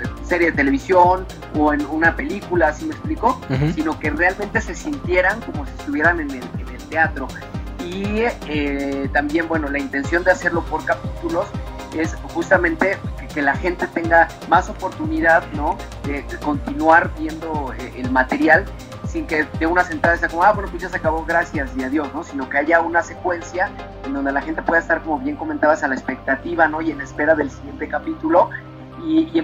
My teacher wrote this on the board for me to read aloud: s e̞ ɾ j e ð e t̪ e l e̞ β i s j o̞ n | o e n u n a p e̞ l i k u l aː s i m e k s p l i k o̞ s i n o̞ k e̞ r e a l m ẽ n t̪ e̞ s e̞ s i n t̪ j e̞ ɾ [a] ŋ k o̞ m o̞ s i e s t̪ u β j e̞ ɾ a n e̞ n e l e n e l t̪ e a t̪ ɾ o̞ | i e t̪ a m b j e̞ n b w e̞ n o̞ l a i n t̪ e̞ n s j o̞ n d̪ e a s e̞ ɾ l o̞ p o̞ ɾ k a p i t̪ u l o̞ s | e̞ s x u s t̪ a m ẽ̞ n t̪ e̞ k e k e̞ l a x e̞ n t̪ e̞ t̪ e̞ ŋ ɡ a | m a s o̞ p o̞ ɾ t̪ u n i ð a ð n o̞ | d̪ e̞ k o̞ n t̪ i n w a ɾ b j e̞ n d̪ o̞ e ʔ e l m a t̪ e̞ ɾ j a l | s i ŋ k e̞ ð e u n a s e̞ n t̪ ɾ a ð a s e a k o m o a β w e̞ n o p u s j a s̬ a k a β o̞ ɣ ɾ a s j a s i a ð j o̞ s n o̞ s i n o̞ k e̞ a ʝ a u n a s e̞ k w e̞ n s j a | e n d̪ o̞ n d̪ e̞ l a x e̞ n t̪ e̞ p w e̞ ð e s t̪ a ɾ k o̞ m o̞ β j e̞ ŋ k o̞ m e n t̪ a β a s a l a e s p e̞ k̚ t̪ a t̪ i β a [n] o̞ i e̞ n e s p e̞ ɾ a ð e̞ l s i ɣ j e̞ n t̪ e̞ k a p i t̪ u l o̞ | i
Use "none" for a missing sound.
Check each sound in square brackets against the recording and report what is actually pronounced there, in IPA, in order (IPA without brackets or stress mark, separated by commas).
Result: a, n